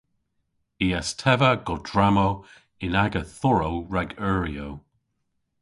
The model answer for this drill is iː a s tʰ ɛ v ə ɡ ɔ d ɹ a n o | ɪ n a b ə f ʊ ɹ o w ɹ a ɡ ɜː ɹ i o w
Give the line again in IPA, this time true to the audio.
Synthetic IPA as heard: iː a s tʰ ɛ v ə ɡ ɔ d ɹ a m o | ɪ n a ɡ ə θ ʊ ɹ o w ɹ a ɡ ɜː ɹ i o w